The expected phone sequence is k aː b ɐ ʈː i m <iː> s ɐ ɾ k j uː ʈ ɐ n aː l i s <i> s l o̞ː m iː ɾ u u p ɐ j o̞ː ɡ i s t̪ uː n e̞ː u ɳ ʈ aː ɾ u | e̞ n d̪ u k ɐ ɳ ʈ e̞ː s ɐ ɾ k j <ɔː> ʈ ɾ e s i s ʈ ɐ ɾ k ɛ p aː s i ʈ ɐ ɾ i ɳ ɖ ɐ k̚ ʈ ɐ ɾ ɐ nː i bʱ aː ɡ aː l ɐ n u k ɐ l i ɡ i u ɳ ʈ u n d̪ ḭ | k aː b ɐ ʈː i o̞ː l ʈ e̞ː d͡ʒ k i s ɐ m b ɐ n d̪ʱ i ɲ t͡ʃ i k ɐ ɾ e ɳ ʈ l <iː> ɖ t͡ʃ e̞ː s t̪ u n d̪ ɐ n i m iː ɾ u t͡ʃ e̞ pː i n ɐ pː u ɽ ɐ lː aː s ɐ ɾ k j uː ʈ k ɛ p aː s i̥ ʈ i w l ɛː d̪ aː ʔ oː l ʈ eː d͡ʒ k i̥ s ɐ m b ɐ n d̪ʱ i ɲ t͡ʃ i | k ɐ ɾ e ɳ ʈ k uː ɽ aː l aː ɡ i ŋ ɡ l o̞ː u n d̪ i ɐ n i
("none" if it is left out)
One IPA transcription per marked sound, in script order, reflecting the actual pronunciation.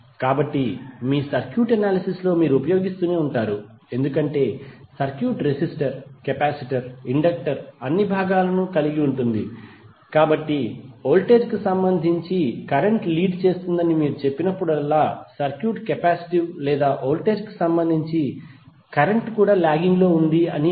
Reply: iː, i, uː, iː

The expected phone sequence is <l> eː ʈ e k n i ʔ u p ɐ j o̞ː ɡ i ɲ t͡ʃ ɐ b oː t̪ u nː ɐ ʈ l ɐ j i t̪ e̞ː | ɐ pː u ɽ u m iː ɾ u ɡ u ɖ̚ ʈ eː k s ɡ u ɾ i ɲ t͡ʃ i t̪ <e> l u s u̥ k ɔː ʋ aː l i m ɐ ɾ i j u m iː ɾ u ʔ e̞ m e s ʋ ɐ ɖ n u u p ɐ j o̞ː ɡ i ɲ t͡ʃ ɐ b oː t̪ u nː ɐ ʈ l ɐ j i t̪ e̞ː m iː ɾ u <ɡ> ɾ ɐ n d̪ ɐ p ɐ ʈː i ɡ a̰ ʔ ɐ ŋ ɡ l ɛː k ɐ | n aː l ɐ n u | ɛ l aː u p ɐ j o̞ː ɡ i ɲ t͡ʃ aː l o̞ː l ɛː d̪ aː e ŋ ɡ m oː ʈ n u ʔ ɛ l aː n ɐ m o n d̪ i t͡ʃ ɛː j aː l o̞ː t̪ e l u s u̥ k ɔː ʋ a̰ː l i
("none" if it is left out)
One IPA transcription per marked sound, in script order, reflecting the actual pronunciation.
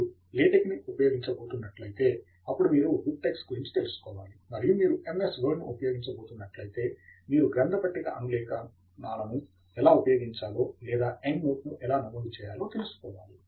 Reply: l, e, ɡ

